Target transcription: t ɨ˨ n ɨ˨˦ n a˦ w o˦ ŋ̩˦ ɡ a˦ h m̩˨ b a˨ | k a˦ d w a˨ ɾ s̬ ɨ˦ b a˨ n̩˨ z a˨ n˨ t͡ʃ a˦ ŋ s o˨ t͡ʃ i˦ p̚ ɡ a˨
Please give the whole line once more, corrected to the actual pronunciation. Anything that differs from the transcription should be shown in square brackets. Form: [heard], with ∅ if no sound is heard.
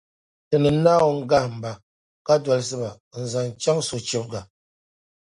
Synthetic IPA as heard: t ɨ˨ n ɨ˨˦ n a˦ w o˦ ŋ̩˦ ɡ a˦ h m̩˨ b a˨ | k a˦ d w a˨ [l] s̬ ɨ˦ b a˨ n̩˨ z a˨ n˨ t͡ʃ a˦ ŋ s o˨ t͡ʃ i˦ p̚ ɡ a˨